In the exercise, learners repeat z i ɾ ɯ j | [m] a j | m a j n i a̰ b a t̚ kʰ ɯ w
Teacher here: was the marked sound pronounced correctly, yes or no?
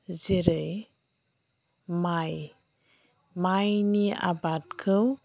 yes